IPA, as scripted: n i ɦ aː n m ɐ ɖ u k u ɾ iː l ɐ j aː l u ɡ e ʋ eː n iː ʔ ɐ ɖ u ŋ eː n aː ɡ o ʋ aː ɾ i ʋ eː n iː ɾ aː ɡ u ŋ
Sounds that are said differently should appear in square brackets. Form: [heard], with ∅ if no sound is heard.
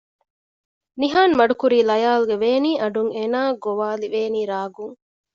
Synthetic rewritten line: n i ɦ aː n m ɐ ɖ u k u ɾ iː l ɐ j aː l u ɡ e ʋ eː n iː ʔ ɐ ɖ u ŋ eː n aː ɡ o ʋ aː [l] i ʋ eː n iː ɾ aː ɡ u ŋ